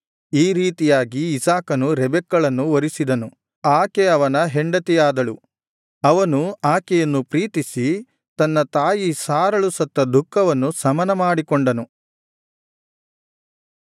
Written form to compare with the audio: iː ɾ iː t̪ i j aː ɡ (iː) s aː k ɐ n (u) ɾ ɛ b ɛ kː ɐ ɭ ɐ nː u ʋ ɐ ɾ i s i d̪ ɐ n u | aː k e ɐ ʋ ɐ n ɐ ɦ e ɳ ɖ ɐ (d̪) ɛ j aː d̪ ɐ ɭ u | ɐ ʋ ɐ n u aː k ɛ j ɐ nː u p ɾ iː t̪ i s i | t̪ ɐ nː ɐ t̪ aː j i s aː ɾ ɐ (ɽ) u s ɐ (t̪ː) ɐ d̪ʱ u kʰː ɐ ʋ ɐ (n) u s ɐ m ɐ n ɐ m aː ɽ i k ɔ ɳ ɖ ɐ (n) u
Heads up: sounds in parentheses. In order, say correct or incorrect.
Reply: correct, correct, incorrect, incorrect, correct, incorrect, correct

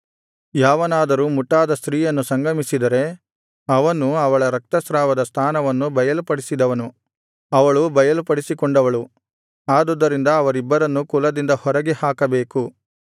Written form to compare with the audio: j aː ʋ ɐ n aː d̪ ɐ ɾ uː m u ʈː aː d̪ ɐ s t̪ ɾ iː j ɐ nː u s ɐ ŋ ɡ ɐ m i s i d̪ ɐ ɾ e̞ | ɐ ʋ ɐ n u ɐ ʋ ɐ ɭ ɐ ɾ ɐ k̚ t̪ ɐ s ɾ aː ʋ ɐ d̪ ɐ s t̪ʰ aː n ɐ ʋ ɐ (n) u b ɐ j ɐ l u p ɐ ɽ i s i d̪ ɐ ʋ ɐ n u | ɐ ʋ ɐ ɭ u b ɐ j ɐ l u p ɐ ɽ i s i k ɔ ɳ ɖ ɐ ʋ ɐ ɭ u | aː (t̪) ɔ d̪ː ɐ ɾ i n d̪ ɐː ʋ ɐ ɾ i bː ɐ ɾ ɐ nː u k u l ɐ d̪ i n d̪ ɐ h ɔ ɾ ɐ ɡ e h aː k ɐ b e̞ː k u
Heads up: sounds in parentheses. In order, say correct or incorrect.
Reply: incorrect, incorrect

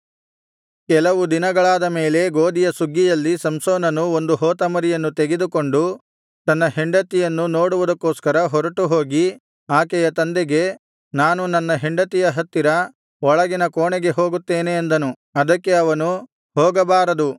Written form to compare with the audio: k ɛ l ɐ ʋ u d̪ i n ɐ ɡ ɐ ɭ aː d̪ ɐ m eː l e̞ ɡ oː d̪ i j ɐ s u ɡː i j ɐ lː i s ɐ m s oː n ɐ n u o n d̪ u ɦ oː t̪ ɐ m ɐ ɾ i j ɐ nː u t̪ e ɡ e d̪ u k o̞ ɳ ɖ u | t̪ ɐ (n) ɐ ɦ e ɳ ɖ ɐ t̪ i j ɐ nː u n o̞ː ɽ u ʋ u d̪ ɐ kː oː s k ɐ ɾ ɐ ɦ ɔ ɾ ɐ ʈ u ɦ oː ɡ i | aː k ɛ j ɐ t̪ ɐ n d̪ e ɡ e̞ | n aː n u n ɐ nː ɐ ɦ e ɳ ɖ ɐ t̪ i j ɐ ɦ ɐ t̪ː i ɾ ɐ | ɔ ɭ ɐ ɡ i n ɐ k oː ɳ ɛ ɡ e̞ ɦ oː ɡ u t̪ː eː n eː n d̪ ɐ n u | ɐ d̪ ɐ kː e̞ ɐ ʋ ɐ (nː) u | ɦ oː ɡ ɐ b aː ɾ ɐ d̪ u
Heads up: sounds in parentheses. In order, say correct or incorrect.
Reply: incorrect, incorrect

